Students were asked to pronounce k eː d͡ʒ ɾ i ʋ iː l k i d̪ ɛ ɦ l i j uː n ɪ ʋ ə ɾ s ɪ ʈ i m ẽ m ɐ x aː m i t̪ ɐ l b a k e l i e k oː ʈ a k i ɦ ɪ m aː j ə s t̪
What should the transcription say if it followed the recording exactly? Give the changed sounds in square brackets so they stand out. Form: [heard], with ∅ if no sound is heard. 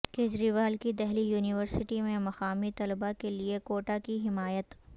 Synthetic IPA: k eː d͡ʒ ɾ i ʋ [aː] l k i d̪ ɛ ɦ l i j uː n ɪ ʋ ə ɾ s ɪ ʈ i m ẽ m ɐ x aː m i t̪ ɐ l b a k e l i e k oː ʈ a k i ɦ ɪ m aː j ə [∅] t̪